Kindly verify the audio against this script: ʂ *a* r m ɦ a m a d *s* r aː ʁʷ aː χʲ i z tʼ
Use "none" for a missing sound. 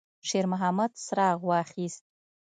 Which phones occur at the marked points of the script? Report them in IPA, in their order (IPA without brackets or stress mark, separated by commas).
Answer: e, s